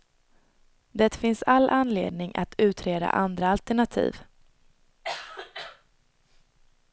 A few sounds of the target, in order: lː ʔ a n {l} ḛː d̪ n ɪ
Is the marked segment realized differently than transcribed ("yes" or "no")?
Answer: no